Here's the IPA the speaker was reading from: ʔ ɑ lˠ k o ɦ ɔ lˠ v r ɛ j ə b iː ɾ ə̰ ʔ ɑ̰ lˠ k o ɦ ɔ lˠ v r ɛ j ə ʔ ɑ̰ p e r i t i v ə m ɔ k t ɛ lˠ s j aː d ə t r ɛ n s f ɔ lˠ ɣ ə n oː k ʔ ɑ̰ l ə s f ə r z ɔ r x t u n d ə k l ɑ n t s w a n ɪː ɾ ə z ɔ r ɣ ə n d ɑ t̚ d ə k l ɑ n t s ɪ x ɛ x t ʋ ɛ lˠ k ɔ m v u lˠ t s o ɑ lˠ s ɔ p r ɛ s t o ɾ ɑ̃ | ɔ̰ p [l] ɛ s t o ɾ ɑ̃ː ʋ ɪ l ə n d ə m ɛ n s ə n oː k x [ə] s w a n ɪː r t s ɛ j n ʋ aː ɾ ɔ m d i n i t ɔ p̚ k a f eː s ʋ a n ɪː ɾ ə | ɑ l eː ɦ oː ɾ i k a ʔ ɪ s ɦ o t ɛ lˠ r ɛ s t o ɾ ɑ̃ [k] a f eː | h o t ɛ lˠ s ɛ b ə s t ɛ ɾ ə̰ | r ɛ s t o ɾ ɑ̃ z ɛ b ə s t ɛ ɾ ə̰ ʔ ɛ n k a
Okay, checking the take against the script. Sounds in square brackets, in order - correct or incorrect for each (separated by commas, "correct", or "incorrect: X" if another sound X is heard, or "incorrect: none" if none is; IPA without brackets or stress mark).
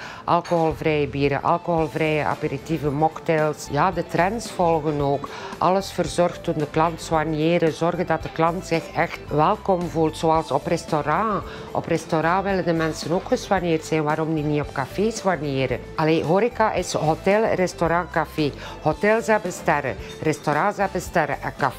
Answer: incorrect: r, correct, correct